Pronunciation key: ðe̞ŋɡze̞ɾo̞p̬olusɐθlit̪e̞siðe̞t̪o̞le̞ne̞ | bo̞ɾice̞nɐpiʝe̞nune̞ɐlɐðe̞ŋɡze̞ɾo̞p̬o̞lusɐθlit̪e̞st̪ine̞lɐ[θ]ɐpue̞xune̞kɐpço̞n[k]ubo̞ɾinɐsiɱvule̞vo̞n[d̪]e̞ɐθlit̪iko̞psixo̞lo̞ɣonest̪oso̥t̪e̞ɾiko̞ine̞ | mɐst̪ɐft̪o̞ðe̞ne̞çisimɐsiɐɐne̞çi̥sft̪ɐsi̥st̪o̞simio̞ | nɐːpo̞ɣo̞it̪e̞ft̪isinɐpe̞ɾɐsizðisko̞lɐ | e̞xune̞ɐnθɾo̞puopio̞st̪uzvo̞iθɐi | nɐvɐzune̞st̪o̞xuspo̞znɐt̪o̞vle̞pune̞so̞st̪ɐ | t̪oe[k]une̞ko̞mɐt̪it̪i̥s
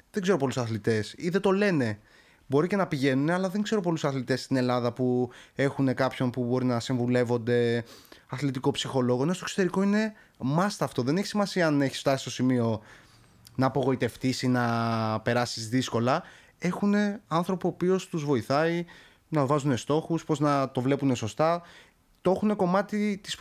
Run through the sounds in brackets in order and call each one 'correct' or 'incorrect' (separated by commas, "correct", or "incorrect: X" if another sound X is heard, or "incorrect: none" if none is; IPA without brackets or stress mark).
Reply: incorrect: ð, incorrect: p, correct, incorrect: x